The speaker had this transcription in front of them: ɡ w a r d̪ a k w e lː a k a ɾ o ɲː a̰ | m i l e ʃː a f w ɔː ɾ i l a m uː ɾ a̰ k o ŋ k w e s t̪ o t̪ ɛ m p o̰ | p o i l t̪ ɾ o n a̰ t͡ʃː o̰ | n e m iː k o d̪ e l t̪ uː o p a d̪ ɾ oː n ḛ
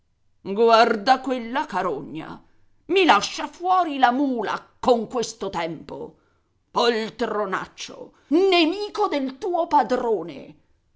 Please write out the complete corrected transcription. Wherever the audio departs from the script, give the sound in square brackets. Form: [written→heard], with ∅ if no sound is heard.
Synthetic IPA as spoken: ɡ w a r d̪ a k w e lː a k a ɾ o ɲː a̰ | m i l [e→a] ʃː a f w ɔː ɾ i l a m uː [ɾ→l] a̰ k o ŋ k w e s t̪ o t̪ ɛ m p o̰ | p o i l t̪ ɾ o n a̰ t͡ʃː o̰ | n e m iː k o d̪ e l t̪ uː o p a d̪ ɾ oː n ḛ